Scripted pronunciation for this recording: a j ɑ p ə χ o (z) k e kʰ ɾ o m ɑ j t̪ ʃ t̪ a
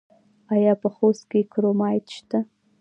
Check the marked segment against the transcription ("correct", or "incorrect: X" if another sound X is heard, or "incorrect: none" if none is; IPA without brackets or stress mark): incorrect: s